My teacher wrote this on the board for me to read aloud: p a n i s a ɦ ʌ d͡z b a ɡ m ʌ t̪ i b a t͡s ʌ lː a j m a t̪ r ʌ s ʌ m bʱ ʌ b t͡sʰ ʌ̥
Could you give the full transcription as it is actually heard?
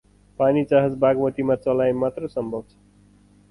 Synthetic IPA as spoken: p a n i t͡s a ɦ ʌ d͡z b a ɡ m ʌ t̪ i m a t͡s ʌ l a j m a t̪ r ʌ s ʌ m bʱ ʌ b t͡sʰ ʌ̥